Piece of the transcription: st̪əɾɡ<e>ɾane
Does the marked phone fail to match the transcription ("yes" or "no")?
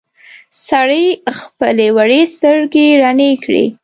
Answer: no